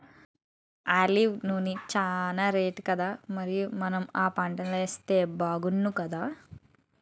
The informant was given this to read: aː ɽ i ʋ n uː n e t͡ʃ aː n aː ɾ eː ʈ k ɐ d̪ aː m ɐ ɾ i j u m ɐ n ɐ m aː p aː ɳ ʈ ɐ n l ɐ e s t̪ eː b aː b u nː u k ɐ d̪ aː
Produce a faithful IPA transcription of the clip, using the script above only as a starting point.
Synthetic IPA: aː l i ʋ n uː n i t͡ʃ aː n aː ɾ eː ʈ k ɐ d̪ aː m ɐ ɾ i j u m ɐ n ɐ m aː p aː ɳ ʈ ɐ n l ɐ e s t̪ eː b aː ɡ u nː u k ɐ d̪ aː